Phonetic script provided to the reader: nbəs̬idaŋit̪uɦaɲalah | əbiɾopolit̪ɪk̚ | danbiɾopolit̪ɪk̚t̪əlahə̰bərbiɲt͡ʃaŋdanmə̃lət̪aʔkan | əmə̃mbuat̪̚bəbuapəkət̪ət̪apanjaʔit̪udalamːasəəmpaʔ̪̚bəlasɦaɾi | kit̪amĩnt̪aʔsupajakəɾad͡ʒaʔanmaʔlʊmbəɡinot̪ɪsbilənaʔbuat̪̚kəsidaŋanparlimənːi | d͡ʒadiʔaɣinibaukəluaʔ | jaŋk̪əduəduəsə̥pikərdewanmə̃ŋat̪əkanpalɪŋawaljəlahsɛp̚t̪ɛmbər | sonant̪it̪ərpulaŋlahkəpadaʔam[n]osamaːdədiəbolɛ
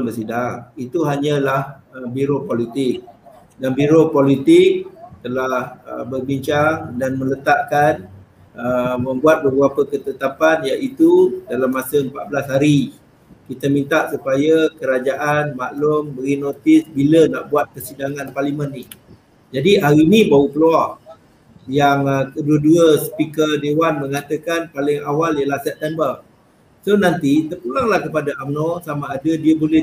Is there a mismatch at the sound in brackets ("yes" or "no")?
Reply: no